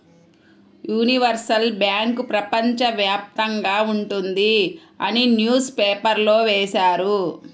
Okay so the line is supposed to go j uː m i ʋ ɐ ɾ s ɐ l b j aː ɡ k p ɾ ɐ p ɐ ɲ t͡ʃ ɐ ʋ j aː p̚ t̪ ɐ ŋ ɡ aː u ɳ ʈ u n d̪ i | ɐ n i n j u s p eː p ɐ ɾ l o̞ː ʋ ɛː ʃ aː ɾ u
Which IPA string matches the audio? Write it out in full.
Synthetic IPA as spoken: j uː n i ʋ ɐ ɾ s ɐ l b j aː ŋ k p ɾ ɐ p ɐ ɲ t͡ʃ ɐ ʋ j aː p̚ t̪ ɐ ŋ ɡ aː u ɳ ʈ u n d̪ i | ɐ n i n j uː s p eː p ɐ ɾ l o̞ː ʋ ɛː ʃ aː ɾ u